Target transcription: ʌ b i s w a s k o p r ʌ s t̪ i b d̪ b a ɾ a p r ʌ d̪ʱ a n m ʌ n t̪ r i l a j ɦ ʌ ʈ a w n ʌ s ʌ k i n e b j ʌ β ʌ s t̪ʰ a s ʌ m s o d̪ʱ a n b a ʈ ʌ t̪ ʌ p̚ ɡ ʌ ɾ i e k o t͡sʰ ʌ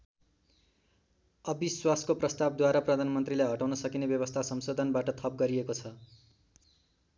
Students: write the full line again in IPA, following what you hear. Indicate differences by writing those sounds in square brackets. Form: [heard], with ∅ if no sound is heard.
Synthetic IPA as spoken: ʌ b i s w a s k o p r ʌ s t̪ [a] b d̪ [w] a ɾ a p r ʌ d̪ʱ a n m ʌ n t̪ r i l a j ɦ ʌ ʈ a w n ʌ s ʌ k i n e b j ʌ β ʌ s t̪ʰ a s ʌ m s o d̪ʱ [ʌ] n b a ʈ ʌ [t̪ʰ] ʌ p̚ ɡ ʌ ɾ i e k o t͡sʰ ʌ